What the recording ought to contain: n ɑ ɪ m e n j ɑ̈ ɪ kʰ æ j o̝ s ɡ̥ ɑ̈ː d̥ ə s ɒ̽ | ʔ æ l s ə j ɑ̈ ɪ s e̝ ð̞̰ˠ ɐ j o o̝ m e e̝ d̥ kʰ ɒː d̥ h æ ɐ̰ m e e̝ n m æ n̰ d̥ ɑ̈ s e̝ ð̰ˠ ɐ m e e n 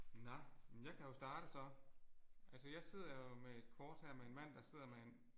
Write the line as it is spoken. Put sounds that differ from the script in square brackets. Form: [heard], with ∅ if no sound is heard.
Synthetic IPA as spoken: n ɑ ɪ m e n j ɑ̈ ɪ kʰ æ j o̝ s [d̥] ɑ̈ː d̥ ə s ɒ̽ | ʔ æ l s ə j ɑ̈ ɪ s e̝ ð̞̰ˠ ɐ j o o̝ m e e̝ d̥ kʰ ɒː d̥ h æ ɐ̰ m e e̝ n m æ n̰ d̥ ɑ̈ s e̝ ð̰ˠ ɐ m e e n